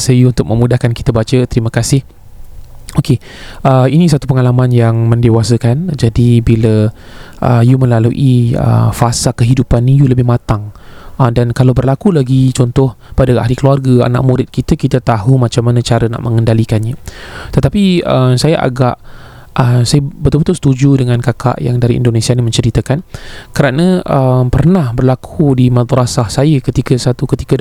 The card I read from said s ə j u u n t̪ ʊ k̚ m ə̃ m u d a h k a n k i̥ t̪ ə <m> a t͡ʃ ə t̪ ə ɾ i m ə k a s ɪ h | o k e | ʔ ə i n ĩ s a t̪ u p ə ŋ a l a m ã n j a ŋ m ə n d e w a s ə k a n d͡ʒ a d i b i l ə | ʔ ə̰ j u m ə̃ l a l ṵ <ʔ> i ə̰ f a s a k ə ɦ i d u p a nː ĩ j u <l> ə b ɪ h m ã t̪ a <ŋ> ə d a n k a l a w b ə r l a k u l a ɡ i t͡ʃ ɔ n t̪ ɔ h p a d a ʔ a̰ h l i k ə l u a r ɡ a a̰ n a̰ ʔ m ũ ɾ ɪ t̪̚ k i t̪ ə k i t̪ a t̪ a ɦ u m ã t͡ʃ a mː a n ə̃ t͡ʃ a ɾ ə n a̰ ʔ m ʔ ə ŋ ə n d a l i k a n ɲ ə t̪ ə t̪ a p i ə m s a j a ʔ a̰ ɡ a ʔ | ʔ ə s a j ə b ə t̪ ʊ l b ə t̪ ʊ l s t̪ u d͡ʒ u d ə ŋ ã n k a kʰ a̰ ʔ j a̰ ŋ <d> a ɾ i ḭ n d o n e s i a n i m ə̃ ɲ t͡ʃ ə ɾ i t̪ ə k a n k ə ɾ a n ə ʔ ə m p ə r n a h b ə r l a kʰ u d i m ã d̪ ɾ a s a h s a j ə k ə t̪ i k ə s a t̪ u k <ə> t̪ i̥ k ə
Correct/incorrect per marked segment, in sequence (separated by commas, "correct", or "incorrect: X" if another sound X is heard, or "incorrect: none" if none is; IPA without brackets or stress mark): incorrect: b, correct, correct, correct, correct, correct